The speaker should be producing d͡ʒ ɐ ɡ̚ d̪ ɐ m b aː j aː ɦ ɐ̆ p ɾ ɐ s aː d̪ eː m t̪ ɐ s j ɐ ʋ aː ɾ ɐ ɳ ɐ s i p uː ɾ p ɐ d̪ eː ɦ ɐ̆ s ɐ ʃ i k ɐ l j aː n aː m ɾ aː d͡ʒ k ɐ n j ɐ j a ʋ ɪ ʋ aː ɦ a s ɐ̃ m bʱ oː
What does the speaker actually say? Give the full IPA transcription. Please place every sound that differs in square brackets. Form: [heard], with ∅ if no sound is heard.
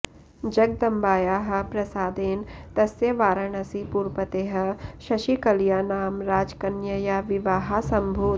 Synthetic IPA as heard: d͡ʒ ɐ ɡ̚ d̪ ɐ m b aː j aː ɦ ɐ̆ p ɾ ɐ s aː d̪ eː [n] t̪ ɐ s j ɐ ʋ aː ɾ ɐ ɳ ɐ s i p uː ɾ p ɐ [t̪] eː ɦ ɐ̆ [ʃ] ɐ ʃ i k ɐ l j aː n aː m ɾ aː d͡ʒ k ɐ n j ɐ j a ʋ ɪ ʋ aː ɦ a s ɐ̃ m bʱ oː